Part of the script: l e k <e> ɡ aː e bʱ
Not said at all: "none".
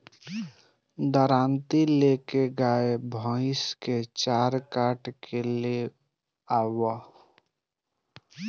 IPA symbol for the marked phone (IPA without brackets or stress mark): e